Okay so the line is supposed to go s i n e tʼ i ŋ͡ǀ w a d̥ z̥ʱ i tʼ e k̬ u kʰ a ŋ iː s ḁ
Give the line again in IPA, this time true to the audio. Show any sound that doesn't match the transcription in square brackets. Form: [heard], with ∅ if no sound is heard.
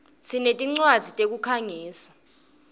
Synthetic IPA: s i n e tʼ i ŋ͡ǀ w a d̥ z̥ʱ i tʼ e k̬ u kʰ a ŋ iː s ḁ